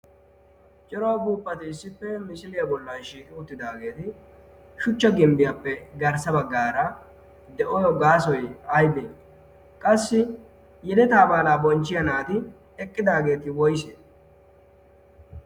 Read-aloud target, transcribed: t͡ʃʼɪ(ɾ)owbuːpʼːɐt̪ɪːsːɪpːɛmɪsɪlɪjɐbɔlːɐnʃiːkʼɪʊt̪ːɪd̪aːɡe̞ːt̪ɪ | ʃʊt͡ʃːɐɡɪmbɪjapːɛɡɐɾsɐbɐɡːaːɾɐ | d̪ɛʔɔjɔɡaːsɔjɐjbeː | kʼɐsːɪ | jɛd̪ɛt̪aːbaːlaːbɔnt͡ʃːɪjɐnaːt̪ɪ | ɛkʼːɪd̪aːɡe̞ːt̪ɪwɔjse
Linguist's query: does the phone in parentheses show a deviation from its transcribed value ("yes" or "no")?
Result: no